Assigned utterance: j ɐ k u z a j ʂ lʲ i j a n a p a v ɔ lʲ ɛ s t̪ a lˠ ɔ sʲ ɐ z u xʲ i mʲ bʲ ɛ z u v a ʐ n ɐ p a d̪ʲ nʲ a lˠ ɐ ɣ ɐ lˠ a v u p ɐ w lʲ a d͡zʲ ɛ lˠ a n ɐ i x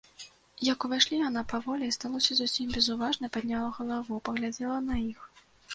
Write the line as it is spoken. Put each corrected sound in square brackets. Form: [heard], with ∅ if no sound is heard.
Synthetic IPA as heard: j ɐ k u [v] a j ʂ lʲ i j a n a p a v ɔ lʲ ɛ s t̪ a lˠ ɔ sʲ ɐ z u [sʲ] i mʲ bʲ ɛ z u v a ʐ n ɐ p a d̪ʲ nʲ a lˠ ɐ ɣ ɐ lˠ a v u p ɐ [ɣ] lʲ a d͡zʲ ɛ lˠ [ɐ] n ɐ i x